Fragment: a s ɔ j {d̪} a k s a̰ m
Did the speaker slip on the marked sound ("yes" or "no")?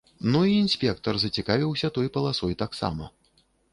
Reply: yes